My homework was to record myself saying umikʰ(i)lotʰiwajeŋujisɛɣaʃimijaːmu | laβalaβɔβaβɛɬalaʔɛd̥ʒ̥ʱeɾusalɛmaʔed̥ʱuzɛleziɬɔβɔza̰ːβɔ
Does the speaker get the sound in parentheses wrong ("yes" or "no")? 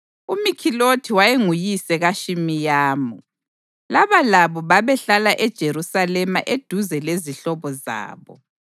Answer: no